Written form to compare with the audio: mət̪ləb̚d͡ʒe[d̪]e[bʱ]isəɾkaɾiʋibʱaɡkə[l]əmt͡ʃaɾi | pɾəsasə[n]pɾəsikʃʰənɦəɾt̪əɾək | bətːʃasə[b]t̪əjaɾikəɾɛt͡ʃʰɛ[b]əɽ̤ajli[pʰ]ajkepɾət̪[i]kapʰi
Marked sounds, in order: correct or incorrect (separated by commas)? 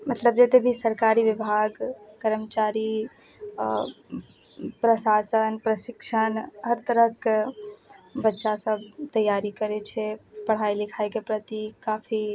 incorrect, correct, incorrect, correct, correct, incorrect, incorrect, correct